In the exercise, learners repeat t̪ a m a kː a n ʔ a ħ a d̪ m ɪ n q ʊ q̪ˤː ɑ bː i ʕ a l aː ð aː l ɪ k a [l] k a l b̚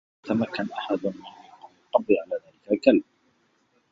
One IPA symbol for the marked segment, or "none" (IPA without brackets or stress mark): l